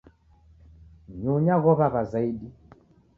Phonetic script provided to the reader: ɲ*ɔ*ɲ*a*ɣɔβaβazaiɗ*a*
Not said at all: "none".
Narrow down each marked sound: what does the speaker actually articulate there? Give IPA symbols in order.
u, a, i

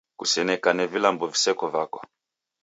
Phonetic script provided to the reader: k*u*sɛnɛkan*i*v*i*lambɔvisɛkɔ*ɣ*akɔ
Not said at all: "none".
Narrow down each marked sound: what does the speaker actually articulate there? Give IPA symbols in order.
u, ɛ, i, v

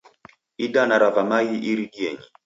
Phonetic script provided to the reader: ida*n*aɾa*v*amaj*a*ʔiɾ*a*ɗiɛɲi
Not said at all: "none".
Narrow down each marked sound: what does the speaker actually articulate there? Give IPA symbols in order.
n, v, i, i

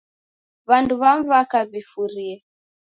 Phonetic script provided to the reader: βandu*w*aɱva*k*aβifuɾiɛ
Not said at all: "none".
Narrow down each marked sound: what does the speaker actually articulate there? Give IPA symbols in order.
β, k

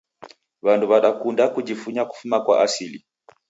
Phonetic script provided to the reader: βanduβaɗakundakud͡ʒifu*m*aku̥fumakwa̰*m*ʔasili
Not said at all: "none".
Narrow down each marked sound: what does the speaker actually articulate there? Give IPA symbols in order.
ɲ, none

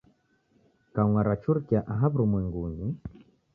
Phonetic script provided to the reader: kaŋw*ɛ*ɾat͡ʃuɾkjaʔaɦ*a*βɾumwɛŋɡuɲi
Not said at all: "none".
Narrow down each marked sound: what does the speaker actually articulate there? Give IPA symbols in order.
a, a

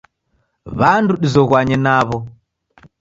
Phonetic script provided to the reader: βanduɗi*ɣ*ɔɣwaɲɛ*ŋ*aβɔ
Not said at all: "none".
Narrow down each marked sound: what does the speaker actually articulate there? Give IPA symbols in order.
z, n

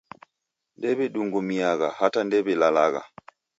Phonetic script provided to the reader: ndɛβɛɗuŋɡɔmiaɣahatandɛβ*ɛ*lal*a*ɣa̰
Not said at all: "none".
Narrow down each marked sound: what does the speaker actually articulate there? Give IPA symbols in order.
ɛ, a

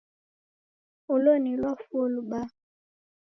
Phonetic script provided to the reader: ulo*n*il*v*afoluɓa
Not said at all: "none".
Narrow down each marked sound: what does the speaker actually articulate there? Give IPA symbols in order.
n, w

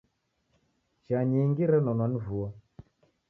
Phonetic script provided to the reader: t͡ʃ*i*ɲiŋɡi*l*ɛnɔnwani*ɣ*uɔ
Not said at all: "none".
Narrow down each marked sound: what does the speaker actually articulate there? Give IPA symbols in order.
a, ɾ, v

